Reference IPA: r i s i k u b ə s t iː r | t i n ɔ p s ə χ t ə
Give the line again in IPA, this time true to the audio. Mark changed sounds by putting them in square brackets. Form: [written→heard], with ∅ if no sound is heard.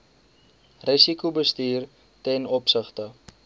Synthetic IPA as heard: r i s i k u b ə s t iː r | t [i→ɛ] n ɔ p s ə χ t ə